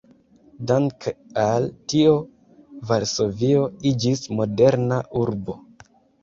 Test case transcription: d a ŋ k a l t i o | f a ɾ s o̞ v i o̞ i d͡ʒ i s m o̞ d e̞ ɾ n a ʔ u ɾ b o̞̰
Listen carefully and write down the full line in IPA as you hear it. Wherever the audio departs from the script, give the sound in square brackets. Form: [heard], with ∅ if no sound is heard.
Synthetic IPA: d a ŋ k a l t i o | [v] a ɾ s o̞ v i o̞ i d͡ʒ i s m o̞ d e̞ ɾ n a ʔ u ɾ b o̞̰

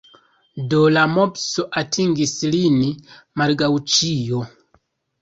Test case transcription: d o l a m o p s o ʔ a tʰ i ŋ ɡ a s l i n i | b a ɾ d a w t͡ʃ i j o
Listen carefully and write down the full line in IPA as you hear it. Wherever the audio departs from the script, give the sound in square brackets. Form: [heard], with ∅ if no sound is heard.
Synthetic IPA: d o l a m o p s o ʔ a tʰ i ŋ ɡ [i] s l i n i | [m] a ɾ [ɡ] a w t͡ʃ i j o

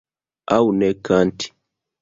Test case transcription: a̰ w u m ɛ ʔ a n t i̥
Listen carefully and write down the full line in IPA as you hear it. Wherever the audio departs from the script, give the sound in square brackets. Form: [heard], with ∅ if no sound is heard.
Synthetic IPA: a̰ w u [n] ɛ [k] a n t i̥

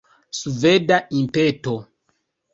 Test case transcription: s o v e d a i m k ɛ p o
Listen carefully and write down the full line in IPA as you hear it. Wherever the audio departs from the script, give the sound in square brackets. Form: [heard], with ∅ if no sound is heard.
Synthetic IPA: s [u] v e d a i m [p] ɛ [t] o

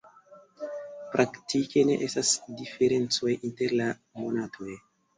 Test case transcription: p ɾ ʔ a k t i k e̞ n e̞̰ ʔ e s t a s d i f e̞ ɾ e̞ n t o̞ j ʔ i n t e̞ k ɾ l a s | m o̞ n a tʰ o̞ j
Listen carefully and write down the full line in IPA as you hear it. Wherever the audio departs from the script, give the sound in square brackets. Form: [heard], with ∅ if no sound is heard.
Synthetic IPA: p ɾ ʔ a k t i k e̞ n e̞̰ ʔ e s t a s d i f e̞ ɾ e̞ n [t͡s] o̞ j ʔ i n t e̞ [∅] ɾ l a [∅] | m o̞ n a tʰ o̞ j

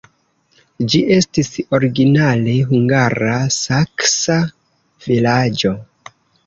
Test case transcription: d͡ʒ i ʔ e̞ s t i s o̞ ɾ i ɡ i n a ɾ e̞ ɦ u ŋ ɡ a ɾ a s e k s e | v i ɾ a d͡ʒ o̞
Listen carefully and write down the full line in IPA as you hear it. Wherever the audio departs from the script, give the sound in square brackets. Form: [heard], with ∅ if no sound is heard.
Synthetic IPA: d͡ʒ i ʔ e̞ s t i s o̞ ɾ i ɡ i n a [l] e̞ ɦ u ŋ ɡ a ɾ a s [a] k s [a] | v i [l] a d͡ʒ o̞

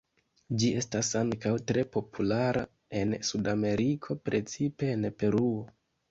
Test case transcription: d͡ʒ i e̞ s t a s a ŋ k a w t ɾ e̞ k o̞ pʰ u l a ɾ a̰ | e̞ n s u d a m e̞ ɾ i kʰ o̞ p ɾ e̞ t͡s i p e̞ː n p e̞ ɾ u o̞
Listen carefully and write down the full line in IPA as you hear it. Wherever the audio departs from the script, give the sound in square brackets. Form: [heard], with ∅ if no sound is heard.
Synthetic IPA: d͡ʒ i e̞ s t a s a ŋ k a w t ɾ e̞ [p] o̞ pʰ u l a ɾ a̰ | e̞ n s u d a m e̞ ɾ i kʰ o̞ p ɾ e̞ t͡s i p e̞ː n p e̞ ɾ u o̞

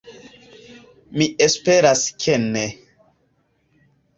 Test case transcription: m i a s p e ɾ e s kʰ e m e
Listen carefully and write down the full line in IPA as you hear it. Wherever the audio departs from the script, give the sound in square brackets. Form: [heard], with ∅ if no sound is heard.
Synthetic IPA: m i [e] s p e ɾ [a] s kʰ e [n] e

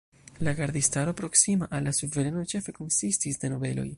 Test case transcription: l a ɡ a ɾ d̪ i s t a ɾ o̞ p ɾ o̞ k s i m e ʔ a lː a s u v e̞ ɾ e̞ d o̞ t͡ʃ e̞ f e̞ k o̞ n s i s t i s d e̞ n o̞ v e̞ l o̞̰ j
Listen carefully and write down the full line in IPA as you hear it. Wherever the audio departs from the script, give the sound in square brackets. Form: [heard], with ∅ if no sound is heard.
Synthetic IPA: l a ɡ a ɾ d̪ i s t a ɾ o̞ p ɾ o̞ k s i m [a] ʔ a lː a s u v e̞ ɾ e̞ [n] o̞ t͡ʃ e̞ f e̞ k o̞ n s i s t i s d e̞ n o̞ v e̞ l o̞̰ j

